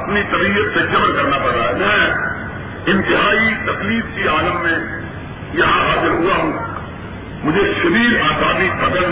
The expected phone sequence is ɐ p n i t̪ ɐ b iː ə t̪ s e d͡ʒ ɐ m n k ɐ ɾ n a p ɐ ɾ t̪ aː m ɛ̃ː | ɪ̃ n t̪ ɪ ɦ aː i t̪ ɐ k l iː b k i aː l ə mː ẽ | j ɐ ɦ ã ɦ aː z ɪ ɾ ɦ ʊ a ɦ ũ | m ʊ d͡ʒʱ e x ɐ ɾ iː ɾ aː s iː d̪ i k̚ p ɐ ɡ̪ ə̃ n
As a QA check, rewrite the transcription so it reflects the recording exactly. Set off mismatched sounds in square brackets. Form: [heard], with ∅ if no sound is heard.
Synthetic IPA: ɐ p n i t̪ ɐ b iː ə t̪ s e d͡ʒ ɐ m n k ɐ ɾ n a p ɐ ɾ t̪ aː m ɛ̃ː | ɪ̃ n t̪ ɪ ɦ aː i t̪ ɐ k l iː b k i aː l ə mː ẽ | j ɐ ɦ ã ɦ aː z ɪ ɾ ɦ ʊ a ɦ ũ | m ʊ d͡ʒʱ e [ʃ] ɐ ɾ iː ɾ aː s [aː] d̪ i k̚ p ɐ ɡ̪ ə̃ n